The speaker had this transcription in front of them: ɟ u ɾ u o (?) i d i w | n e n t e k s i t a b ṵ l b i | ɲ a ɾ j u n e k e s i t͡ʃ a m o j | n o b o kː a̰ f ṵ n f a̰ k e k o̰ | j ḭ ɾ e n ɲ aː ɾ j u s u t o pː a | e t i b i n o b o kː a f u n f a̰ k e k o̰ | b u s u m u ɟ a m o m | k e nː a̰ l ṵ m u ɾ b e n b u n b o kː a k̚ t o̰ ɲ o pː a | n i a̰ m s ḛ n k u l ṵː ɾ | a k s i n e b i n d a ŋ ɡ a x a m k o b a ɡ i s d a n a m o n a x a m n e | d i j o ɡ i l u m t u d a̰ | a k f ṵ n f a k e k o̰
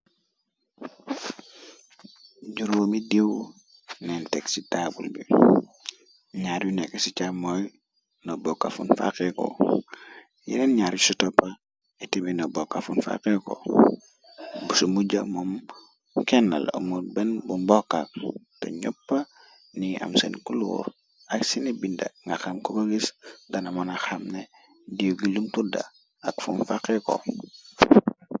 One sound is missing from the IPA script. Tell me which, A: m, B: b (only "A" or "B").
A